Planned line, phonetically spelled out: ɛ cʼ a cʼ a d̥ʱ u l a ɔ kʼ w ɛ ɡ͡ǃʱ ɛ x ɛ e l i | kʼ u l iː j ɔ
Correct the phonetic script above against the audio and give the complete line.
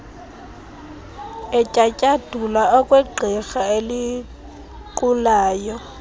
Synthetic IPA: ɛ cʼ a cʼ a d̥ʱ u l a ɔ kʼ w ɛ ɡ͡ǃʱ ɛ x a e l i | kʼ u l aː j ɔ